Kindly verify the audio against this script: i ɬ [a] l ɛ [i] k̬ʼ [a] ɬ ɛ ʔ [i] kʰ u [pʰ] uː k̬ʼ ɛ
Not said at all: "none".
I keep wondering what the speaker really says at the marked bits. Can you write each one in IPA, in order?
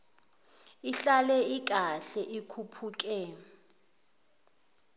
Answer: a, i, a, i, pʰ

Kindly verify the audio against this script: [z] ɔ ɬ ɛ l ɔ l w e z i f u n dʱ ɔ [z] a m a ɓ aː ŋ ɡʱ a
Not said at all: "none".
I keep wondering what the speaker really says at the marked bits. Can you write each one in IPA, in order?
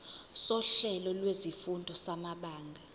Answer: s, s

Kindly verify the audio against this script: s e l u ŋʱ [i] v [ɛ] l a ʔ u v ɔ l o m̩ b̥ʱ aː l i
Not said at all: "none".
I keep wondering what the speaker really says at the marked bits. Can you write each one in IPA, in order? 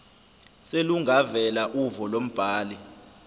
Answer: a, ɛ

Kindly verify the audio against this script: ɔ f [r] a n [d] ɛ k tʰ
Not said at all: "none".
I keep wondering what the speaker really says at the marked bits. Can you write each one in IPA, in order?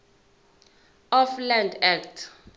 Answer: l, d

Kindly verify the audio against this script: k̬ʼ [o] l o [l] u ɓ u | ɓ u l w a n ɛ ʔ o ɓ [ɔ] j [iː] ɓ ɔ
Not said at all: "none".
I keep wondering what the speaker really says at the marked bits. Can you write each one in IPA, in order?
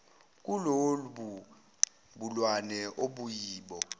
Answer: u, l, u, iː

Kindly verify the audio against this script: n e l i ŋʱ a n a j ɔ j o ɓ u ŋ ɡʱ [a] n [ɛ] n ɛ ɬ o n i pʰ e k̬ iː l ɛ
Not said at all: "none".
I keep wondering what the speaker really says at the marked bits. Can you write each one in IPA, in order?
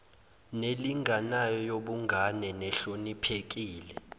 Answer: a, ɛ

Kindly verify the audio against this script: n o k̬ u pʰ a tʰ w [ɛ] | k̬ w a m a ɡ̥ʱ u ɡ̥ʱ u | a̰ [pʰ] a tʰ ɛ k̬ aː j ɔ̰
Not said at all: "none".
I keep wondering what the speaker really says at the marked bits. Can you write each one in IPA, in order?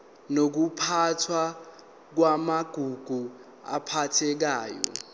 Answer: a, pʰ

